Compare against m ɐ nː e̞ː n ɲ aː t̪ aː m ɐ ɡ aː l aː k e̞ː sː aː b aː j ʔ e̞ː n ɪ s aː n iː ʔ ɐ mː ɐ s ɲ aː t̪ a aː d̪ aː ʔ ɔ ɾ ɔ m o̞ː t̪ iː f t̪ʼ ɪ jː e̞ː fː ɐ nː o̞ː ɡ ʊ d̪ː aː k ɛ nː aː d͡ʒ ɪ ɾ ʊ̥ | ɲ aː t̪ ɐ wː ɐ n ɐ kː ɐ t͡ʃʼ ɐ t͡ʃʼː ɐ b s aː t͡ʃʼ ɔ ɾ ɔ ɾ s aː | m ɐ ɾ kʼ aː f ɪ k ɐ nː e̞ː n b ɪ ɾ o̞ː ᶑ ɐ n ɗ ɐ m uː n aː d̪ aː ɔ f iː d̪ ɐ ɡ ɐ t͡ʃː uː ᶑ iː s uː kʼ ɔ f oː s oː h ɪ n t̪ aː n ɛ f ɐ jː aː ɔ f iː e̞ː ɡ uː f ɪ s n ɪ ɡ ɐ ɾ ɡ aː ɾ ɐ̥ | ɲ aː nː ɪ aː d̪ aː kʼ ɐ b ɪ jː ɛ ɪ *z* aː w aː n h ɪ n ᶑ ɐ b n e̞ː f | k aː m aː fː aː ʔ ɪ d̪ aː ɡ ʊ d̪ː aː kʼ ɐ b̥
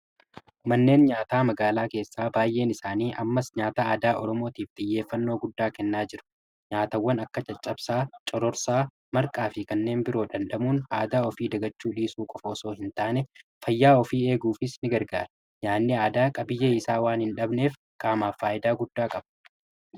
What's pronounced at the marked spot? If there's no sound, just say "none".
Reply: s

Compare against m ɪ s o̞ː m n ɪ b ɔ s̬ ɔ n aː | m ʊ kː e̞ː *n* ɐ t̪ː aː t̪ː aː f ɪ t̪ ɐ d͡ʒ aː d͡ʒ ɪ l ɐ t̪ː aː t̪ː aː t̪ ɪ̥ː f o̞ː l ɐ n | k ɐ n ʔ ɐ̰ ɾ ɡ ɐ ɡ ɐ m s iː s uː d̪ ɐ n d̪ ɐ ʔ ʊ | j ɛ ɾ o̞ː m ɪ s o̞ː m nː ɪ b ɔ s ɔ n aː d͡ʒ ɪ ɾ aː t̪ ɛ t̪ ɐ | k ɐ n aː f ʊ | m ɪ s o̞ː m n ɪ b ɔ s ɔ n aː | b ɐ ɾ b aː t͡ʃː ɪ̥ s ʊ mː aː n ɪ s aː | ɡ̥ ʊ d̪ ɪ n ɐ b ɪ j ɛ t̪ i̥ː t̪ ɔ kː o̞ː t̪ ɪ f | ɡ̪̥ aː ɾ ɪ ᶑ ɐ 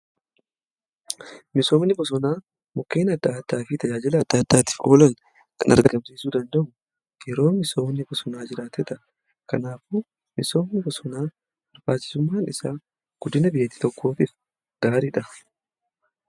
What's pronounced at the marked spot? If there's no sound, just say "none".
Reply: n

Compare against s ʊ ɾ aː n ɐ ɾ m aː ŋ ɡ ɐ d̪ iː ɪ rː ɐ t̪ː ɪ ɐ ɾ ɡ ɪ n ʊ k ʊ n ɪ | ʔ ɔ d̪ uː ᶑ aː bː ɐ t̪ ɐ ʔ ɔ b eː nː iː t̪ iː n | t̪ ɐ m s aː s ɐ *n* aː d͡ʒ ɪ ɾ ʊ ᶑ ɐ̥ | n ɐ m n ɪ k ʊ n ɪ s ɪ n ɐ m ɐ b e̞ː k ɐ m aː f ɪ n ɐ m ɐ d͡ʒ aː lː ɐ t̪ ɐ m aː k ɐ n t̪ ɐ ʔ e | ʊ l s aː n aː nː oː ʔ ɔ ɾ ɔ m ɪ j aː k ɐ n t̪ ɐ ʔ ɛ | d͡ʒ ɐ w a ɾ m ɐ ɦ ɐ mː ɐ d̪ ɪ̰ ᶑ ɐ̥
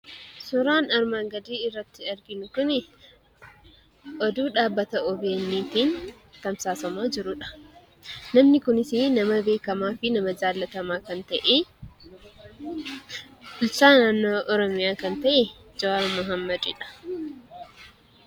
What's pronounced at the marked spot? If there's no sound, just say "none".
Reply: m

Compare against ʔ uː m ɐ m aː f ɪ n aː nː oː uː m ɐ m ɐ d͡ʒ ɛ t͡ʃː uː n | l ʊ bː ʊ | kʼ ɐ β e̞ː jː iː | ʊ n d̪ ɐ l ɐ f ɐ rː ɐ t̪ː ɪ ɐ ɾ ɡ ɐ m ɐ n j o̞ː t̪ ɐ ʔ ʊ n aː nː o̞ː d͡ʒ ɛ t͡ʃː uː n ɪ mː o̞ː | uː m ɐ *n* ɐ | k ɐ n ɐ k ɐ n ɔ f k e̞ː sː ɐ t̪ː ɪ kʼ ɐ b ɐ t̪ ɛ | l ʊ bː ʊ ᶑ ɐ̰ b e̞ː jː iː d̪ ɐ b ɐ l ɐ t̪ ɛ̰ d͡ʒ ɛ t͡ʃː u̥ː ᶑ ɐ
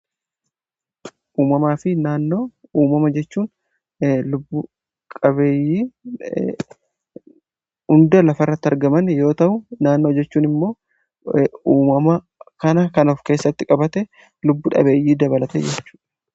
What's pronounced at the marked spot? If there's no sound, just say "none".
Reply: m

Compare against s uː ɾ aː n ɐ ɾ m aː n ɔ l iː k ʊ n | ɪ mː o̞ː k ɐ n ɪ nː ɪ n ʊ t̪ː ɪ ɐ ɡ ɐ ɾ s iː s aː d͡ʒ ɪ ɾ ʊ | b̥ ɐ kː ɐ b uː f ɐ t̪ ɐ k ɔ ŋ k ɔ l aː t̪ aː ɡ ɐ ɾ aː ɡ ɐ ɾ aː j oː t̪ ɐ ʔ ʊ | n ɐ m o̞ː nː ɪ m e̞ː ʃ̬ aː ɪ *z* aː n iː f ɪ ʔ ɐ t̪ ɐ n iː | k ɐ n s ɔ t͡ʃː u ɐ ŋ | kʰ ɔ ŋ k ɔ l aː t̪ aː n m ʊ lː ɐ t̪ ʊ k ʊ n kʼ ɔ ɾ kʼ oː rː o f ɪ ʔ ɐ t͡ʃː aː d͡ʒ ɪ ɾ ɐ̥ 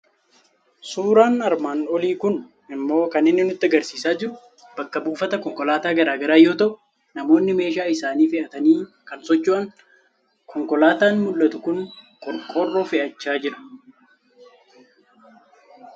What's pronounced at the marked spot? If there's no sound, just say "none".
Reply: s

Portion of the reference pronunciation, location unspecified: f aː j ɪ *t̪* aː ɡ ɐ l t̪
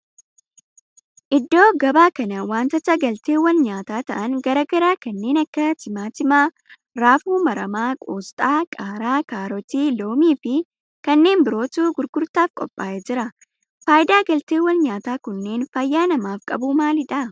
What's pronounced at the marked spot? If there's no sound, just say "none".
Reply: d̪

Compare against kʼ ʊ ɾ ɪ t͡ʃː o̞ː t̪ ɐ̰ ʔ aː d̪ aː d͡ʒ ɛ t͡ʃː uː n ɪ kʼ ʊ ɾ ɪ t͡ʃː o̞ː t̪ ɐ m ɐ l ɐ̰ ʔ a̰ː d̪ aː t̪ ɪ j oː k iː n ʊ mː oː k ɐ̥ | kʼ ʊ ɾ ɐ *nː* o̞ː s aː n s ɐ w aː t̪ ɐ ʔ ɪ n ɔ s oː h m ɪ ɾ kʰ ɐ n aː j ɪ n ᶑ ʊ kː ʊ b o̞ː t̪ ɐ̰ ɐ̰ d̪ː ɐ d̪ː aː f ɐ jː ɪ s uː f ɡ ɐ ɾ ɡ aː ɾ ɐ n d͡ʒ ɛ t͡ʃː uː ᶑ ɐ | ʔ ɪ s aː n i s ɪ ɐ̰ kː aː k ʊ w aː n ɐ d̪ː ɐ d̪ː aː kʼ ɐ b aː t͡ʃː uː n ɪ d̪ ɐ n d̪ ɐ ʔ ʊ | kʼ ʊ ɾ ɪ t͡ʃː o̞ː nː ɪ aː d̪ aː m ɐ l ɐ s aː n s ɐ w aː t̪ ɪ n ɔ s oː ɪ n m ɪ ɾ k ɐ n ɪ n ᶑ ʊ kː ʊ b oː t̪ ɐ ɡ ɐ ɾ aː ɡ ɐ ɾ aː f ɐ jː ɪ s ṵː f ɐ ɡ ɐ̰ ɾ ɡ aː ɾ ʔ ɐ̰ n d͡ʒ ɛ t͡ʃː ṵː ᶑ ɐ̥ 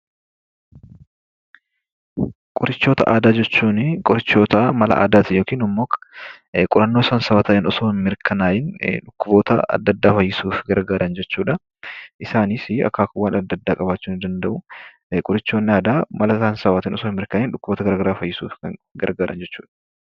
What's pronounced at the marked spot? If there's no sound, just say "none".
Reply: nː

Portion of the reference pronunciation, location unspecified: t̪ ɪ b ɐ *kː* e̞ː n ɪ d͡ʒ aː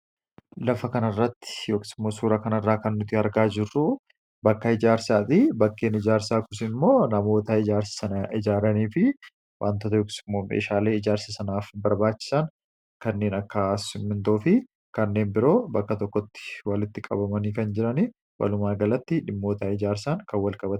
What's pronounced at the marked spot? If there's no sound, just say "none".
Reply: kː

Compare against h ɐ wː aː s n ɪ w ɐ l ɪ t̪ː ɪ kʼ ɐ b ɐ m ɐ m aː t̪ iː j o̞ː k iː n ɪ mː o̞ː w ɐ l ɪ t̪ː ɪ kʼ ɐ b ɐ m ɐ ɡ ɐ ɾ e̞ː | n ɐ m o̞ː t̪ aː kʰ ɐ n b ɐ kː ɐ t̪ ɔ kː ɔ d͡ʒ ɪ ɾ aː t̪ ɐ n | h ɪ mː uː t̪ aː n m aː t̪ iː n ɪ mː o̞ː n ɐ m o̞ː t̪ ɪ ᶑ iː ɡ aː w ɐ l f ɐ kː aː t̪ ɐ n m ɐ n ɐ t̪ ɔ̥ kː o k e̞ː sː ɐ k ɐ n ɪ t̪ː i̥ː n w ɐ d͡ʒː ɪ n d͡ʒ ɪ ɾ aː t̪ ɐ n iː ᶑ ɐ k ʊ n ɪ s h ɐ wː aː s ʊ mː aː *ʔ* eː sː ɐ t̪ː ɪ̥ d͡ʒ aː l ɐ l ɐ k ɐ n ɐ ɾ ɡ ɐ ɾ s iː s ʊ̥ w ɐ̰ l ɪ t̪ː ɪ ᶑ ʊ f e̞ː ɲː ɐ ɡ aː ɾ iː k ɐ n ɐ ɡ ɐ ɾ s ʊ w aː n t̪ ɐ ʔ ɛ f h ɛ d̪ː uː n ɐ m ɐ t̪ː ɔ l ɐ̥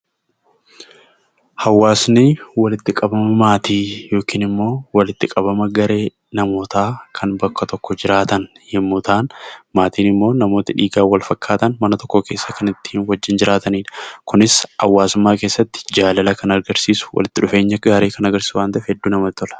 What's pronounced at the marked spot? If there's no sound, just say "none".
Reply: k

